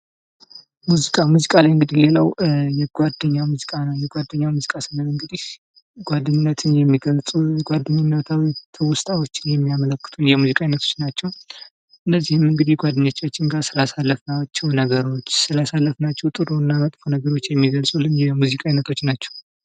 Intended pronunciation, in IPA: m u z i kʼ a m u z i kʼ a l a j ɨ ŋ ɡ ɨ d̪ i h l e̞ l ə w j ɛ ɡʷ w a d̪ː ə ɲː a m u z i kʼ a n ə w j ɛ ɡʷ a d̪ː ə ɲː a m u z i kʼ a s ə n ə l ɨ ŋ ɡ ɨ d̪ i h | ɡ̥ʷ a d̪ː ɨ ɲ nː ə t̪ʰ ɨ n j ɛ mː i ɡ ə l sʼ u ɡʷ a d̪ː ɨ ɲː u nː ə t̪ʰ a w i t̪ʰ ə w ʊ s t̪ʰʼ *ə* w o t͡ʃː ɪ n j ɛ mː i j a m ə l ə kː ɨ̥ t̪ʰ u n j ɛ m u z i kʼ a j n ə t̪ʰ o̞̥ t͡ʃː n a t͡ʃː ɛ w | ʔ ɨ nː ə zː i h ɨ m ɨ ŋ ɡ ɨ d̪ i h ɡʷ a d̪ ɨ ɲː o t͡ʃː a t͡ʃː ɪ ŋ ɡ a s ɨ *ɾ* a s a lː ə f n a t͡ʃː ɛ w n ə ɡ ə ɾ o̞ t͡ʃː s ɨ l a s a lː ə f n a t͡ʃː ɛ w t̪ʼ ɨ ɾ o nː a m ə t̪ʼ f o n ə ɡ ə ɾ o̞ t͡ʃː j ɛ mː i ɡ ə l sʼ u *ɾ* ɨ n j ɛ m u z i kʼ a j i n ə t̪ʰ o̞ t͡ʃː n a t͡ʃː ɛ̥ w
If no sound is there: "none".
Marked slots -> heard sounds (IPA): a, l, l

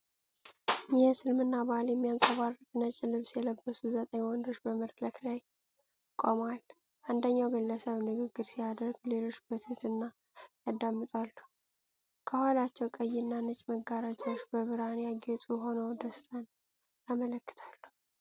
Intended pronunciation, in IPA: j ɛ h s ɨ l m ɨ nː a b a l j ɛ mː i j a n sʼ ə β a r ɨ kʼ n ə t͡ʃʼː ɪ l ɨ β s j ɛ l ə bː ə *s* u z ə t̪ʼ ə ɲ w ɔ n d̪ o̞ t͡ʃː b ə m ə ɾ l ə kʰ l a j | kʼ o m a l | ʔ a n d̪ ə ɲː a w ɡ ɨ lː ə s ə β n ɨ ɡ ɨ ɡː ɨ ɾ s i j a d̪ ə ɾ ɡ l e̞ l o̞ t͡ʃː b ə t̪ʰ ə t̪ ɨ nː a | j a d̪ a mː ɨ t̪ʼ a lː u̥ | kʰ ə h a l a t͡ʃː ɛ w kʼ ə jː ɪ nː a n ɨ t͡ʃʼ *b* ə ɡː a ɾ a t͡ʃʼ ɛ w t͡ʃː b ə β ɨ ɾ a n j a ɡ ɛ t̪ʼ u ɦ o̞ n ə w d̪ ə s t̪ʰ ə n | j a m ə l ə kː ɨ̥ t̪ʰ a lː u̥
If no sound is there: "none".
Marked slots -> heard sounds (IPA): s, m

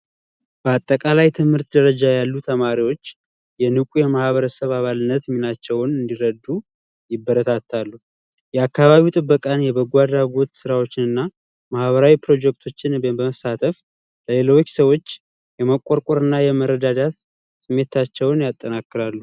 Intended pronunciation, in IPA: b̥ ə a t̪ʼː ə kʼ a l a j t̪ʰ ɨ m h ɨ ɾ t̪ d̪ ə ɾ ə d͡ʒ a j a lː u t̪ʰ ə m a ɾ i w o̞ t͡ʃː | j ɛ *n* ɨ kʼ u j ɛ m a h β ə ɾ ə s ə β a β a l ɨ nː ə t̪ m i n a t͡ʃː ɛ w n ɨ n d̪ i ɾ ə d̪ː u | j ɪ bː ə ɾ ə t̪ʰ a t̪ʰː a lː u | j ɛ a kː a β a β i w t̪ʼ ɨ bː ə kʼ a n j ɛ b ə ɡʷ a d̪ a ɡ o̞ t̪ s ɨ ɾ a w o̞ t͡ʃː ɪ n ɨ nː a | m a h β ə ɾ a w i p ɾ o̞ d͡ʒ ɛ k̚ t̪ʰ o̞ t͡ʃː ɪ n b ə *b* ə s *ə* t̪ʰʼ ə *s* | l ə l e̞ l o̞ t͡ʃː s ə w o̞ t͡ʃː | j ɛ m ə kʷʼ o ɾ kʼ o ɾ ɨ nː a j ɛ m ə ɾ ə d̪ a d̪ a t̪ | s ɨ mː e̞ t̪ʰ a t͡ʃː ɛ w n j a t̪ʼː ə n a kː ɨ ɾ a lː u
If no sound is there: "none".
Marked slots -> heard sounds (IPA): n, m, a, f

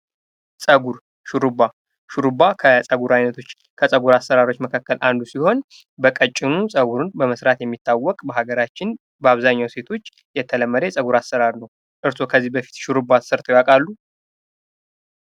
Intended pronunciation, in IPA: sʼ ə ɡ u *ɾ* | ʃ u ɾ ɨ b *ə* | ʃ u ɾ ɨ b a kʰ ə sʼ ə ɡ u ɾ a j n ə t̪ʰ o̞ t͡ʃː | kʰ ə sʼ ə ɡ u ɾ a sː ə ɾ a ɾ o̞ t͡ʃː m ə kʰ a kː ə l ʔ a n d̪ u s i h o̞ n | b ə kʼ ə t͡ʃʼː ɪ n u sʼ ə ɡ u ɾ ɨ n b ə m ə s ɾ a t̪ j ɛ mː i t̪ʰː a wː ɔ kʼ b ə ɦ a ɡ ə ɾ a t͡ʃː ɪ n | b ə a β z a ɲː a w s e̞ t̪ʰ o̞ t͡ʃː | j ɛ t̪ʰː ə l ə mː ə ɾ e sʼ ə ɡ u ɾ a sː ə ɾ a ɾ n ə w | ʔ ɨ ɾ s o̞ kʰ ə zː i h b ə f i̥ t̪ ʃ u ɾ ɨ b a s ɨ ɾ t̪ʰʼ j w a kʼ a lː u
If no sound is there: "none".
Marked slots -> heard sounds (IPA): ɾ, a

